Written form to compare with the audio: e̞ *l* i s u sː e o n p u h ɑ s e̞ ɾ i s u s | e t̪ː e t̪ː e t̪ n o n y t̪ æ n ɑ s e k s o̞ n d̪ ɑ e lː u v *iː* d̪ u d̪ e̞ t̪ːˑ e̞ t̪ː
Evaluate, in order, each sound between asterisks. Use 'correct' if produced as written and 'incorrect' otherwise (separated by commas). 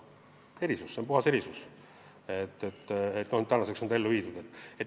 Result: incorrect, correct